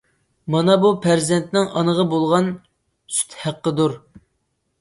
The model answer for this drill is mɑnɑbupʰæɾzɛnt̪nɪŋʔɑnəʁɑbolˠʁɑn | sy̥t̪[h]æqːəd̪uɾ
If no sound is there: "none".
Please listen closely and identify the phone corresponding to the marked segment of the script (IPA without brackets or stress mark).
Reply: h